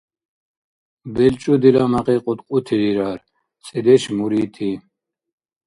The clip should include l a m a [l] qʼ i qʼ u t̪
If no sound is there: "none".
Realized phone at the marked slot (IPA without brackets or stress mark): none